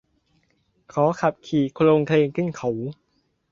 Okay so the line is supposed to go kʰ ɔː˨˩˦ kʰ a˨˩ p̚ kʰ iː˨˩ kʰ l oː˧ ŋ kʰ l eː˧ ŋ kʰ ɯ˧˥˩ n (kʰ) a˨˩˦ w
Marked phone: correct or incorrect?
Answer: correct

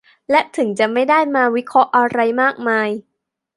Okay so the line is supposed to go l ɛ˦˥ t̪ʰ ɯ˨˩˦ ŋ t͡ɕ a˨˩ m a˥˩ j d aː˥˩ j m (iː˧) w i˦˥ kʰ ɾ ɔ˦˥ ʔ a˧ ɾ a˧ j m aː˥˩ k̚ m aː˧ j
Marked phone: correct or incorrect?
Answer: incorrect: aː˧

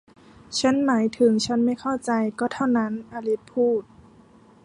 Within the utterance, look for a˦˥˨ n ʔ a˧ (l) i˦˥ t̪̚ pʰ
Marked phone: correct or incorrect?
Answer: correct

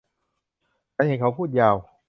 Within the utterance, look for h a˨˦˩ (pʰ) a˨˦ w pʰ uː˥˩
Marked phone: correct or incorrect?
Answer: incorrect: kʰ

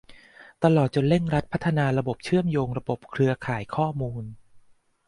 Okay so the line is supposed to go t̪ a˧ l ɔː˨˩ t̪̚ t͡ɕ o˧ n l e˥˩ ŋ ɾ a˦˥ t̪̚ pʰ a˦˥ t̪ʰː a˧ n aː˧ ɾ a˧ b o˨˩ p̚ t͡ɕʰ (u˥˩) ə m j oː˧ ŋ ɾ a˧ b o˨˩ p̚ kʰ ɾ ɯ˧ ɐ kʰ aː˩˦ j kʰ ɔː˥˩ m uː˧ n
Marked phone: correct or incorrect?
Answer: incorrect: ɯ˥˩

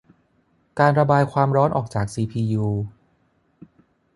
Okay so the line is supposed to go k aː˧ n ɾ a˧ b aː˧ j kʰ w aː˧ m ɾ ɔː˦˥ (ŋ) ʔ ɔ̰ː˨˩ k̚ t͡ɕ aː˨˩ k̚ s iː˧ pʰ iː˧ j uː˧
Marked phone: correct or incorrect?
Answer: incorrect: n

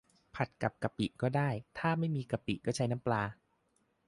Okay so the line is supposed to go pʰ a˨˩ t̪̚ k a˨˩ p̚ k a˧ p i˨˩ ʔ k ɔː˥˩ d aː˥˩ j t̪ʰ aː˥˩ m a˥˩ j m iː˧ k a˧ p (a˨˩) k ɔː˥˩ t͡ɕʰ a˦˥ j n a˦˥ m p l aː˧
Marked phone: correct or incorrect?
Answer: incorrect: i˨˩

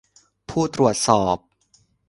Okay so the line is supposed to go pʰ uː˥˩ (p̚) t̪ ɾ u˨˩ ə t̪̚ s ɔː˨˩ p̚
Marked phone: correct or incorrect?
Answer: incorrect: none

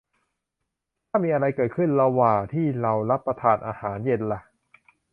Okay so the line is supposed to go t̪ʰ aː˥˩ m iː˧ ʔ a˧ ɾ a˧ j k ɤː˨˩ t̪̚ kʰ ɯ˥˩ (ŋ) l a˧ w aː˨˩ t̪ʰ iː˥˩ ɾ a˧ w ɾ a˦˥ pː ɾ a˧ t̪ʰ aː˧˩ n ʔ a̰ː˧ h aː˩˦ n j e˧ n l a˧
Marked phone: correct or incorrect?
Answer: incorrect: n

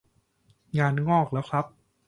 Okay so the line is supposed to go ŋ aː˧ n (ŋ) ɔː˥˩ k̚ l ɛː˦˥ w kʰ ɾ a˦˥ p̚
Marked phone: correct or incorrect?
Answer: correct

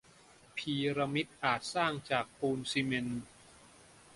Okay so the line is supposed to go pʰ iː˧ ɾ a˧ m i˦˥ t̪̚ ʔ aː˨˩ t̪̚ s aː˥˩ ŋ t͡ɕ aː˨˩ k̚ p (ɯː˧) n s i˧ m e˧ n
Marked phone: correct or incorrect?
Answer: incorrect: uː˧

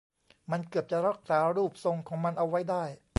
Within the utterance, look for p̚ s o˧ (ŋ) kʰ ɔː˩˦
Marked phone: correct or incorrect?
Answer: correct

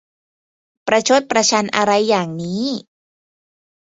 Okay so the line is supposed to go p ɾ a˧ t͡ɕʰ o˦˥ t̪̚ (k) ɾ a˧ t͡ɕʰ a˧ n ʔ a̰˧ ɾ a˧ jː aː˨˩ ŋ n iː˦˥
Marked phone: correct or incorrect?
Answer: incorrect: p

